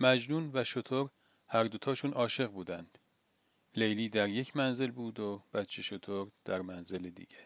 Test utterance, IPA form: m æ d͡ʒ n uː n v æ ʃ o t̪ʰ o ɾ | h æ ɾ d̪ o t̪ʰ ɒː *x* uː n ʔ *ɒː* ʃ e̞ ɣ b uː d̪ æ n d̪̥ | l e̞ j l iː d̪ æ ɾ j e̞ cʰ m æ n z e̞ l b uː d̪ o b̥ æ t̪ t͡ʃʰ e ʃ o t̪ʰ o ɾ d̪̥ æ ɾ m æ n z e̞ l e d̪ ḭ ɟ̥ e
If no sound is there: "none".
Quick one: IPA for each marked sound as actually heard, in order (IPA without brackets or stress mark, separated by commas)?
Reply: ʃ, ɒː